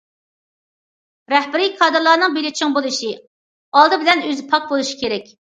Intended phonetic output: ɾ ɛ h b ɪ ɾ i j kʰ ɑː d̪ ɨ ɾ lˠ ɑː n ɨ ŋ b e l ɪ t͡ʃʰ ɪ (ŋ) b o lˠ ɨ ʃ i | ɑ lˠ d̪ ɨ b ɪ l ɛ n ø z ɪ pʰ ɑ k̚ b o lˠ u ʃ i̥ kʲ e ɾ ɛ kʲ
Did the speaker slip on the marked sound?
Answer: no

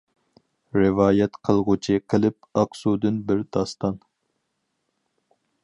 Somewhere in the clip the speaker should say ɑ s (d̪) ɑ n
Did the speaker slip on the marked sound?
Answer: yes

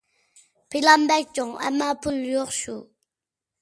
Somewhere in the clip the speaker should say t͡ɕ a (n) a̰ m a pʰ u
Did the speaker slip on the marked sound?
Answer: yes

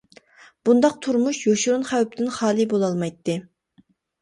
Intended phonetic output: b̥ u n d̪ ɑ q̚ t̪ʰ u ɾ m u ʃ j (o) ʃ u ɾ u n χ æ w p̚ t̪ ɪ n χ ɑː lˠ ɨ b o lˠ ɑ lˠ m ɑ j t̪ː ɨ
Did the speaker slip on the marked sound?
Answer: no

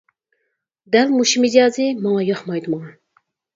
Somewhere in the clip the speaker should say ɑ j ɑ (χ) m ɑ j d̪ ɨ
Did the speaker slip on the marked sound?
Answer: no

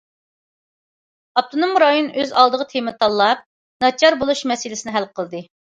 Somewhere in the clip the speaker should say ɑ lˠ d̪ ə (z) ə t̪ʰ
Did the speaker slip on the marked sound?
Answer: yes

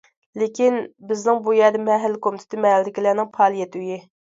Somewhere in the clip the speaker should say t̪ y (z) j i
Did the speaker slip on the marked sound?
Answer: yes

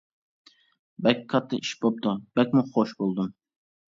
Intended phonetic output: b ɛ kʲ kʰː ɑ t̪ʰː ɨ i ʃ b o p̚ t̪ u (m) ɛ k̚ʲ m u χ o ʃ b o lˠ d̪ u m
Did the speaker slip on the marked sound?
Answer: yes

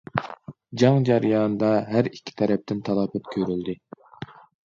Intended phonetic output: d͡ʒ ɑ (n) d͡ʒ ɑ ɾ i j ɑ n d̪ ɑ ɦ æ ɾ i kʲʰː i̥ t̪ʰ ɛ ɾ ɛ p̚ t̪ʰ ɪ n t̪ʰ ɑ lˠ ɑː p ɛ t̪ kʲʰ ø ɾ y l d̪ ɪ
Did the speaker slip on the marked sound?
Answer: yes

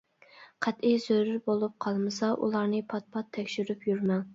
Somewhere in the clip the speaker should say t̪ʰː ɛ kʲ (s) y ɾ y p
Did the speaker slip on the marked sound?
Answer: yes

